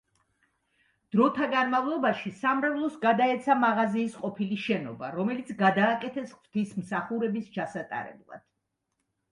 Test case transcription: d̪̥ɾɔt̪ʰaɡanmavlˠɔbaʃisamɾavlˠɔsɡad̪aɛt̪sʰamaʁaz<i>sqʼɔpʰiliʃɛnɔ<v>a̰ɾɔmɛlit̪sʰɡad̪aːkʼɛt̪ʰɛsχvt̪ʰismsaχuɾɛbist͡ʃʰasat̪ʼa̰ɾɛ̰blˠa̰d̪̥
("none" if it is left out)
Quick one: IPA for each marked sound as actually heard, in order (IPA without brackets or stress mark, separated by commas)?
iː, b